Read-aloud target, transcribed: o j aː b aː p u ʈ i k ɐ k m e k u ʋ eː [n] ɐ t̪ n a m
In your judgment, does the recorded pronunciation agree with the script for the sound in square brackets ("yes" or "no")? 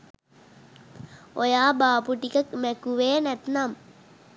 yes